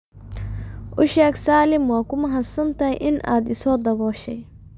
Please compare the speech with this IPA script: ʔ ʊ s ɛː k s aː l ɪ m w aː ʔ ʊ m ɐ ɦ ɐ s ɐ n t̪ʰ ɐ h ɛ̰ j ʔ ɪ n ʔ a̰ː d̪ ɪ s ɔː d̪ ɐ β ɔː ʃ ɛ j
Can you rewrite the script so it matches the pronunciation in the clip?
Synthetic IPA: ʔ ʊ ʃ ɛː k s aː l ɪ m w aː k ʊ m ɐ ɦ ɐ s ɐ n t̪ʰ ɐ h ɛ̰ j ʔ ɪ n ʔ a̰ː d̪ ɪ s ɔː d̪ ɐ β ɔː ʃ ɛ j